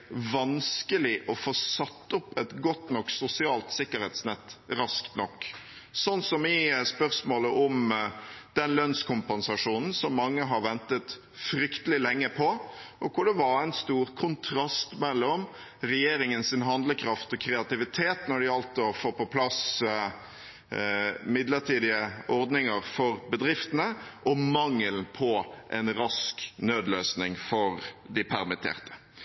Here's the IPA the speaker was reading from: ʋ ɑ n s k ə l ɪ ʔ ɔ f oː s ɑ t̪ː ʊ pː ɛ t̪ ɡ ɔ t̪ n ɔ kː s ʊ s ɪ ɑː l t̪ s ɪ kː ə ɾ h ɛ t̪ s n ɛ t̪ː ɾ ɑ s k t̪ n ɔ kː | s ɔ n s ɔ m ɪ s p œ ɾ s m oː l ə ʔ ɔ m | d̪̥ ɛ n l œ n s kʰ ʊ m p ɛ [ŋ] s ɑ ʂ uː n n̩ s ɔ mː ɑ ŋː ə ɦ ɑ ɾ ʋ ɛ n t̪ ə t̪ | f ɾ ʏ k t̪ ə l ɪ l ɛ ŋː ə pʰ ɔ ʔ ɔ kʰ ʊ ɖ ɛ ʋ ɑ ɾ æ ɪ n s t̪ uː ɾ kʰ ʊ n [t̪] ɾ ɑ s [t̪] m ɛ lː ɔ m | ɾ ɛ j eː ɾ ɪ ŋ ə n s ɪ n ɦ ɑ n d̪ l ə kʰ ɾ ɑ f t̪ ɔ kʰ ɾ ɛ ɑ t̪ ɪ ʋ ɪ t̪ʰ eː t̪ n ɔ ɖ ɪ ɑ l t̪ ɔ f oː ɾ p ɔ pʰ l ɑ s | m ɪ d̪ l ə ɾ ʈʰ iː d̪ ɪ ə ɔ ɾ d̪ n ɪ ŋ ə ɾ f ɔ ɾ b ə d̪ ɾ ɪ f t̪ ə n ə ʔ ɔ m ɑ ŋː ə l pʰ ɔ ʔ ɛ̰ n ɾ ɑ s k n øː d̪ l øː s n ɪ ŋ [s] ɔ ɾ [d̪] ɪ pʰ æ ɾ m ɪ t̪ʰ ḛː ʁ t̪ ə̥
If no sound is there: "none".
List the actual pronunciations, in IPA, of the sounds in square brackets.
n, t̪ʰ, t̪, f, d̪

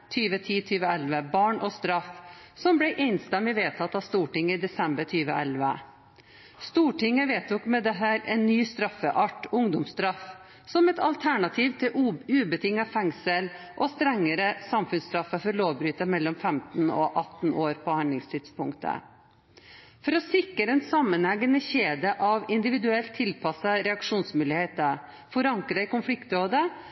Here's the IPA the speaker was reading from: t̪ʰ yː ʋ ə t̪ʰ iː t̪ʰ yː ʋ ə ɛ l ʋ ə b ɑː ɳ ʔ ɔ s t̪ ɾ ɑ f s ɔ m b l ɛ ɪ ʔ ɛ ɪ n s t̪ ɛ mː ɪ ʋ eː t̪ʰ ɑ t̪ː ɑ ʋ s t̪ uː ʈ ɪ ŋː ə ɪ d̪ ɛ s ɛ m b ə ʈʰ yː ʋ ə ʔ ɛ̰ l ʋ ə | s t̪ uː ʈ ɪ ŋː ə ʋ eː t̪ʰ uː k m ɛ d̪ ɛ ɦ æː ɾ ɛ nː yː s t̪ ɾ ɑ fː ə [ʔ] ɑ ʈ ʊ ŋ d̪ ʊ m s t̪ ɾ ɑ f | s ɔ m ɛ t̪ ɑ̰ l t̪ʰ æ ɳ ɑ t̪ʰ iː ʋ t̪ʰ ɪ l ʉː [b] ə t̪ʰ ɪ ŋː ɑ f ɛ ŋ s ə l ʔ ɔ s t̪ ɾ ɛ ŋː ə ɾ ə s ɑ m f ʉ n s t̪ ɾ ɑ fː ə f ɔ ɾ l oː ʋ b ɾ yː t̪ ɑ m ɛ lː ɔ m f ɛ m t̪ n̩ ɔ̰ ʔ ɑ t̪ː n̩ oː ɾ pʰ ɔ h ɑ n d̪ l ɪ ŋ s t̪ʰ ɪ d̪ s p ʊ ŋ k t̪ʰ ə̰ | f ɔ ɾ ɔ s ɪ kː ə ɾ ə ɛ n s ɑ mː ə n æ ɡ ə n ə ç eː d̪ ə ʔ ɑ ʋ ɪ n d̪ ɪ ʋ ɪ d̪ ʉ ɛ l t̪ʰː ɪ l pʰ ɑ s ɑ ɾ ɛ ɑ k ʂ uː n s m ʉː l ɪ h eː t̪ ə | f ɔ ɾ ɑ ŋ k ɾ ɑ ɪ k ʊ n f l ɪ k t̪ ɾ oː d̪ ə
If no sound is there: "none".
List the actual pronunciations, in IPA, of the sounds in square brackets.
ʔ, b

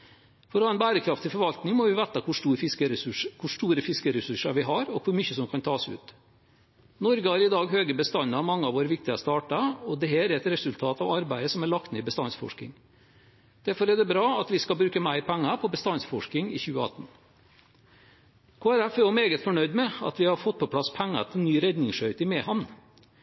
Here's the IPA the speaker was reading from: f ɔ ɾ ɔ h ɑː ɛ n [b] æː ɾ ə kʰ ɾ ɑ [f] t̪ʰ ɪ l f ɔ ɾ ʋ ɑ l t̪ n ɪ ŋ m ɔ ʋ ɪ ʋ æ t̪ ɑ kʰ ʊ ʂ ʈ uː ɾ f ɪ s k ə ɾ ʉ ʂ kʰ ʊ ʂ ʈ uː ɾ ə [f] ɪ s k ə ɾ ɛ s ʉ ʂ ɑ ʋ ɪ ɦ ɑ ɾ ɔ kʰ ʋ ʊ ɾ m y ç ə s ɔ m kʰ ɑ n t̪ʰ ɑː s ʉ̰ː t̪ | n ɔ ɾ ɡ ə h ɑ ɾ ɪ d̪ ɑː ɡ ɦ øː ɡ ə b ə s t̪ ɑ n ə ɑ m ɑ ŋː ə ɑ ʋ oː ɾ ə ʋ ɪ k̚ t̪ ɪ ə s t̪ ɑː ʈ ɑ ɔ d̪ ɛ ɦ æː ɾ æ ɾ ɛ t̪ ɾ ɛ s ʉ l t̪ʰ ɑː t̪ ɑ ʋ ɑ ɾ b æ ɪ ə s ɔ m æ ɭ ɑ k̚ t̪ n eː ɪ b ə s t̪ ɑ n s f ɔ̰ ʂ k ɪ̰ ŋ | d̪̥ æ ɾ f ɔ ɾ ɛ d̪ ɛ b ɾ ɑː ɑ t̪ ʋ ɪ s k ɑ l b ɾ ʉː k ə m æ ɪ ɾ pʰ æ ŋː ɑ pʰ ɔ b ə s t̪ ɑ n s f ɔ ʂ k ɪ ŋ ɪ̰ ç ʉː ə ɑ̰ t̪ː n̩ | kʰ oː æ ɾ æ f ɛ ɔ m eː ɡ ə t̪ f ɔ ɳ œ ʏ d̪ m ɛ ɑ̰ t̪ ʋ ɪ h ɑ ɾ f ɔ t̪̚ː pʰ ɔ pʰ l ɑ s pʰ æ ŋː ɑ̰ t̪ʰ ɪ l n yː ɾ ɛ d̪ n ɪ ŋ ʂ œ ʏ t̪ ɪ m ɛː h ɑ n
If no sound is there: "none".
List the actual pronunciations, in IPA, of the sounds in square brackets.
b, f, f

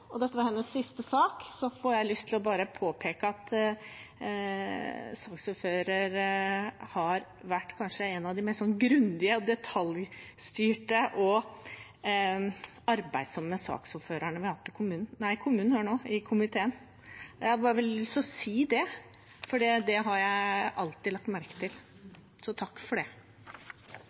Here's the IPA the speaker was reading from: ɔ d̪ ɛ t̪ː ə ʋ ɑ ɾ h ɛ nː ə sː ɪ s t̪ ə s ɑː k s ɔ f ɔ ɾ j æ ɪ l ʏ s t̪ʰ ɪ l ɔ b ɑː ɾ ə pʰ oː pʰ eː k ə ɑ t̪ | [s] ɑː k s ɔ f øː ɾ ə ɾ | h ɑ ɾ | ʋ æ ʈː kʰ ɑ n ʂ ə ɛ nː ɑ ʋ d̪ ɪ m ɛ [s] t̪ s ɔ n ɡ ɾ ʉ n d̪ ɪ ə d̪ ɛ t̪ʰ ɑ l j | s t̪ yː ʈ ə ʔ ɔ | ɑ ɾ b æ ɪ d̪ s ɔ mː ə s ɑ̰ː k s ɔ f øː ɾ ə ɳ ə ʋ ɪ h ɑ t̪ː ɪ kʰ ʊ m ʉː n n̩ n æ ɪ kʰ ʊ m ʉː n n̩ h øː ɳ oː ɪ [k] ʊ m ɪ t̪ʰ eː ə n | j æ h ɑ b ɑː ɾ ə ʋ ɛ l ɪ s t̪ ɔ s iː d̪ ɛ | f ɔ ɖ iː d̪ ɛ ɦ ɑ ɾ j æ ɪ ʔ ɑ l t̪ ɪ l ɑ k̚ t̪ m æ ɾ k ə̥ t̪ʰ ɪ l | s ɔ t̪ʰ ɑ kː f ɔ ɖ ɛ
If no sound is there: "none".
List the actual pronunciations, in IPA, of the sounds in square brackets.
s, s, kʰ

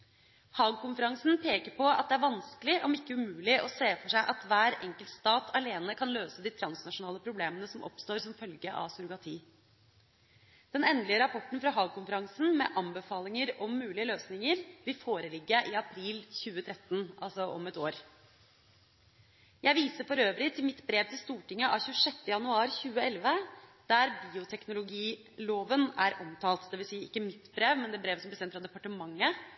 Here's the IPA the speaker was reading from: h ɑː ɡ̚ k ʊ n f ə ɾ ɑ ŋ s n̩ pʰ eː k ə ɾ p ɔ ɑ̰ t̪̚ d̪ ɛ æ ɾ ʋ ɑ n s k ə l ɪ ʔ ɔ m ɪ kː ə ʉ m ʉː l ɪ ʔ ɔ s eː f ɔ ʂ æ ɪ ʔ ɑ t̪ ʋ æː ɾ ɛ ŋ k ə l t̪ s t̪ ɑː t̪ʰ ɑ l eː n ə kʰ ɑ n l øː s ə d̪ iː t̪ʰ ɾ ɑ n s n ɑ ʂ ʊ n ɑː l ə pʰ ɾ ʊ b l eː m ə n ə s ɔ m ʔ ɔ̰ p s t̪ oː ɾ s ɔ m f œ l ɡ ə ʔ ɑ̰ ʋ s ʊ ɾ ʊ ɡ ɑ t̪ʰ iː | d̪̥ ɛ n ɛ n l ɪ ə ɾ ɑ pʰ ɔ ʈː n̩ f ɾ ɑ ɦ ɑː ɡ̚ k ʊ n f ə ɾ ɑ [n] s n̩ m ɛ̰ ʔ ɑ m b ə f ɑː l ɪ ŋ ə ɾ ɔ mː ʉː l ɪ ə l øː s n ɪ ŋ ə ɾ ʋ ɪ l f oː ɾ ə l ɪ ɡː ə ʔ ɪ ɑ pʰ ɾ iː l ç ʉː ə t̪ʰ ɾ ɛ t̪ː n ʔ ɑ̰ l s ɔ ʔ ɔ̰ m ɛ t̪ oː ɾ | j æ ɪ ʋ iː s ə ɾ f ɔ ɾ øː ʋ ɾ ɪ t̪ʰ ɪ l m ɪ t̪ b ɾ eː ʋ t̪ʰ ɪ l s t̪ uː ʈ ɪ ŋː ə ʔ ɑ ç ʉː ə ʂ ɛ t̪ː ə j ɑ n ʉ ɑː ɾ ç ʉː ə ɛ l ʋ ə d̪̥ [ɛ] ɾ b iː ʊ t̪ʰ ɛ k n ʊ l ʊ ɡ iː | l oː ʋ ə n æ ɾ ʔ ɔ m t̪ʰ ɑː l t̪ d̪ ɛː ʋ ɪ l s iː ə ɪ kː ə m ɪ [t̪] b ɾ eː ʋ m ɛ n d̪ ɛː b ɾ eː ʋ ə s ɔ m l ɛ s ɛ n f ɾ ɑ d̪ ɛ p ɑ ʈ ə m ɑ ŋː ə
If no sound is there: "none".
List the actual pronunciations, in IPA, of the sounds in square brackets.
ŋ, æ, t̪

